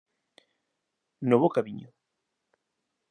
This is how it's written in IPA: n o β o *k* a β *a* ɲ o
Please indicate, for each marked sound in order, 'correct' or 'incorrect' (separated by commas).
correct, incorrect